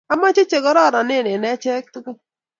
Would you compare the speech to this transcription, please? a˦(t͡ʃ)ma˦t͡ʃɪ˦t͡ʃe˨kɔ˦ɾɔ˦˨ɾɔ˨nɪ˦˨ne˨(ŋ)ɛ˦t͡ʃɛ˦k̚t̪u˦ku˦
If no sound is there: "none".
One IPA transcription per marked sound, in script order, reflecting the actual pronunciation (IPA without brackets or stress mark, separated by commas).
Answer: none, n